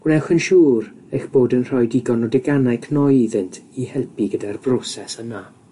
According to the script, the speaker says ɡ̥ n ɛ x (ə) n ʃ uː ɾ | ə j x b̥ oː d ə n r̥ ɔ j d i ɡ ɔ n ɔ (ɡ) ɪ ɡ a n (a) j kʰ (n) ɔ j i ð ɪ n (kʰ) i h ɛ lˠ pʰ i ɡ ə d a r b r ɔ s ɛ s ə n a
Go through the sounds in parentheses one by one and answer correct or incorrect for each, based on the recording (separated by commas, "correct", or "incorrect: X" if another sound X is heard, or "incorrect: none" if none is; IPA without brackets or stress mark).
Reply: correct, incorrect: d, correct, correct, incorrect: tʰ